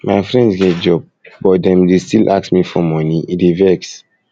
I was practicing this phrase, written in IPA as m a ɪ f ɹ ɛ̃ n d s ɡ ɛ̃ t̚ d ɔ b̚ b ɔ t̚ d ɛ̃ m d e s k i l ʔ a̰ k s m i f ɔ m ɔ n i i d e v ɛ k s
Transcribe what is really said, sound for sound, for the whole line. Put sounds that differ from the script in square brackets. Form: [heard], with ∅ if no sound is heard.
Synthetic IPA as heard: m a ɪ f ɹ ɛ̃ n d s ɡ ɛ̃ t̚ [d͡ʒ] ɔ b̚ b ɔ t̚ d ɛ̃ m d e s [t] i l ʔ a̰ k s m i f ɔ m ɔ n i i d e v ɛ k s